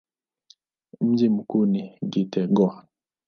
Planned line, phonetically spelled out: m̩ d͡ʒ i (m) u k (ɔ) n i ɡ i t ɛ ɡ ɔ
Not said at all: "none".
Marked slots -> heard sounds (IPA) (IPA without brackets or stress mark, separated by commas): m, u